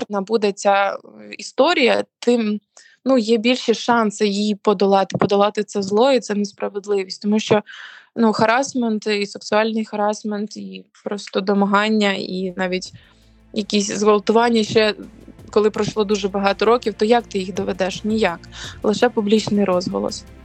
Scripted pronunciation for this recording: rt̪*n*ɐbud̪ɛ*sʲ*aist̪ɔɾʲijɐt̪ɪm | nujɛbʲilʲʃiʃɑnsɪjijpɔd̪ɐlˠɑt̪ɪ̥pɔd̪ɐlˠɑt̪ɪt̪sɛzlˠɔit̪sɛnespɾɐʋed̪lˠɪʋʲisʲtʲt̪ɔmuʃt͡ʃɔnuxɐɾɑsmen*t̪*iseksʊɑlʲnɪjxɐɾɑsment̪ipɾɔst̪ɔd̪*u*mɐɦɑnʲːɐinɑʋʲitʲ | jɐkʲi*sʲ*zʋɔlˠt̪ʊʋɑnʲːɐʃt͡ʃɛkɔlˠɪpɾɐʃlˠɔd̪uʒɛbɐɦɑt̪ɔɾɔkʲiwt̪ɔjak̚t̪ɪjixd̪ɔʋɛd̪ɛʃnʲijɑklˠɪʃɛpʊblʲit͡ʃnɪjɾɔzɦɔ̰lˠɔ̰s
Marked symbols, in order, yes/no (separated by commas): yes, no, yes, no, yes